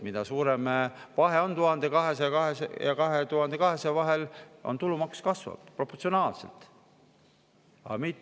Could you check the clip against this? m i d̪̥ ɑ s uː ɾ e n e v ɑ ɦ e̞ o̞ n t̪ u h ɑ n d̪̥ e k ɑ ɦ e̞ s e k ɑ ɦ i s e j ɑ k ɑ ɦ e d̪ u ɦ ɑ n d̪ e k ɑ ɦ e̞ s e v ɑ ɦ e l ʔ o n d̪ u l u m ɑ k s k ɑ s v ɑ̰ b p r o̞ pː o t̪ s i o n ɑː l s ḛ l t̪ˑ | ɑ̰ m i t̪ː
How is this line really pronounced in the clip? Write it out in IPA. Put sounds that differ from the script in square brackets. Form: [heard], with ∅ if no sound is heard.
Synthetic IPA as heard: m i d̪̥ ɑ s uː ɾ e [m] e v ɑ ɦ e̞ o̞ n t̪ u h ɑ n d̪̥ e k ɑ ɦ e̞ s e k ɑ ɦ [e] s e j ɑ k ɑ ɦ e [t̪] u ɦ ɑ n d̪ e k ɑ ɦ e̞ s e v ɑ ɦ e l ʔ o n [t̪] u l u m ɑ k s k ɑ s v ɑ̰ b p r o̞ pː o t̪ s i o n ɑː l s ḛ l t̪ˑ | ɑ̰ m i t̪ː